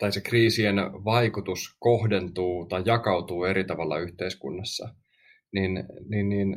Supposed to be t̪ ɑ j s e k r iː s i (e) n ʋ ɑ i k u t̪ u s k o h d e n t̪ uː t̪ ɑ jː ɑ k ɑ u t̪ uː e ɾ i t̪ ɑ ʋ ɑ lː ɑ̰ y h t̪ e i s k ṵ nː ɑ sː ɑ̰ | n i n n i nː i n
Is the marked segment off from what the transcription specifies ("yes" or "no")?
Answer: no